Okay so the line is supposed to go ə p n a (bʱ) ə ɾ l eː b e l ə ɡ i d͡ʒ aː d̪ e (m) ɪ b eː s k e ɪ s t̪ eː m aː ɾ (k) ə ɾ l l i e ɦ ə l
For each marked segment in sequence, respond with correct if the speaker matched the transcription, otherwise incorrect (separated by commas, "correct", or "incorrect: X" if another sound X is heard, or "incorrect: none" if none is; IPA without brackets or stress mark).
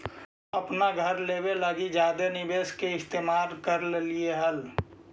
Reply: incorrect: ɡʱ, incorrect: n, correct